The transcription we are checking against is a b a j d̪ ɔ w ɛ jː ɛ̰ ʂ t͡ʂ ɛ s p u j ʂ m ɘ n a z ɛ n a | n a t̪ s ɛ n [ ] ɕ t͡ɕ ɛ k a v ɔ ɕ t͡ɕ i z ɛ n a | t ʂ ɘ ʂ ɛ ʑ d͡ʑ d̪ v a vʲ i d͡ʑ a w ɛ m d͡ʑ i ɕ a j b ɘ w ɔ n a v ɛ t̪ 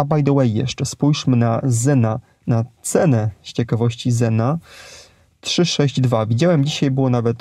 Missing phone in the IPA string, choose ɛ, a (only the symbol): ɛ